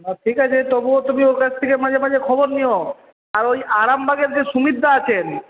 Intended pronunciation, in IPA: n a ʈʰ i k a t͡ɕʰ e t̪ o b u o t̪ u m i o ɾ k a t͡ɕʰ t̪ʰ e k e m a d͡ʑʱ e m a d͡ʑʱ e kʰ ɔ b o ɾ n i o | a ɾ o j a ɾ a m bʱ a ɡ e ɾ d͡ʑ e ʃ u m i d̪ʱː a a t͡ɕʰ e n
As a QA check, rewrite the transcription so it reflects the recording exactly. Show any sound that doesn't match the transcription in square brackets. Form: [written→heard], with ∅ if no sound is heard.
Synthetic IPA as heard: n a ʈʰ i k a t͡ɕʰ e t̪ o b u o t̪ u m i o ɾ k a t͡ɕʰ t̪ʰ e k e m a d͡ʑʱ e m a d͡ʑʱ e kʰ ɔ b o ɾ n i o | a ɾ o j a ɾ a m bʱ a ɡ e ɾ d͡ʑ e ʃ u m i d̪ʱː a a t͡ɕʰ e n